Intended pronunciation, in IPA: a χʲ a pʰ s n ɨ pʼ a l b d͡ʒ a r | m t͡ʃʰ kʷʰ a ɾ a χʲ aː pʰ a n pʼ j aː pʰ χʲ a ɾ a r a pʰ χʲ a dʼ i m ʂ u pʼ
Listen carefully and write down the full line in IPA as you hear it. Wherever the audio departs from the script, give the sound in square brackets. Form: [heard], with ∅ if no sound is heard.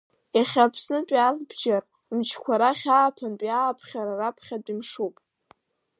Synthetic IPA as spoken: a χʲ a pʰ s n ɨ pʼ a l b d͡ʒ a r | m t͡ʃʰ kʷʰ a ɾ a χʲ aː pʰ a n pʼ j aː pʰ χʲ a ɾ a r a pʰ χʲ a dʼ i m ʂ u pʼ